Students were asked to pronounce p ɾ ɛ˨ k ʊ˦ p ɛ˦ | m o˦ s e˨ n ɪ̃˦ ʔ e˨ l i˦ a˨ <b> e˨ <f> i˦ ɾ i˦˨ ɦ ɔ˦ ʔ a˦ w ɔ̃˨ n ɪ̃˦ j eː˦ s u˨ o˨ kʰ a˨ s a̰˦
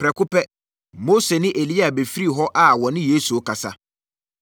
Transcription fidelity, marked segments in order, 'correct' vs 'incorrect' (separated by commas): correct, correct